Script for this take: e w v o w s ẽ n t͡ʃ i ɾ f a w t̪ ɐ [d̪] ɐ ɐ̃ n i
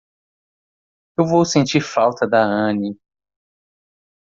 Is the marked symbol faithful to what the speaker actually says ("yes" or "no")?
yes